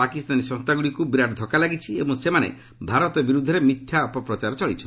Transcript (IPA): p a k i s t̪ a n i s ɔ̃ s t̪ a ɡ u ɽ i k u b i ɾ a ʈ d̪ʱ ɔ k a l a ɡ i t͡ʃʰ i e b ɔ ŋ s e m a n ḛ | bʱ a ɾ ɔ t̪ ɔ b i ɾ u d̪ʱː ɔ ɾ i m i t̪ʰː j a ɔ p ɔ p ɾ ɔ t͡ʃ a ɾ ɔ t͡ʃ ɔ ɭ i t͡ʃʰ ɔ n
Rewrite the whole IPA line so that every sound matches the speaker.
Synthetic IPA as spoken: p a k i s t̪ a n i s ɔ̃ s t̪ a ɡ u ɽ i k u b i ɾ a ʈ d̪ʱ ɔ k a l a ɡ i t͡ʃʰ i e b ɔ ŋ s e m a n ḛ | bʱ a ɾ ɔ t̪ ɔ b i ɾ u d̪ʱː ɔ ɾ e m i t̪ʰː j a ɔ p ɔ p ɾ ɔ t͡ʃ a ɾ ɔ t͡ʃ ɔ ɭ i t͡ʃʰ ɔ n